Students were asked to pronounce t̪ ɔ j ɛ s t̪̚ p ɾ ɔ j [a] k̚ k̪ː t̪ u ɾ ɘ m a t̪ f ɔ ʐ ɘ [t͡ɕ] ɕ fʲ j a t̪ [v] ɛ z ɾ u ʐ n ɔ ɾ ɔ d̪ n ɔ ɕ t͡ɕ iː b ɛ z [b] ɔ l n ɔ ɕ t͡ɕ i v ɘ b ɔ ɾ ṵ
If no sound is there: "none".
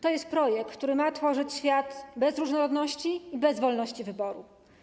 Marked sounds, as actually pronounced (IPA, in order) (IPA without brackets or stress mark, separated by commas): ɛ, t͡ɕ, b, v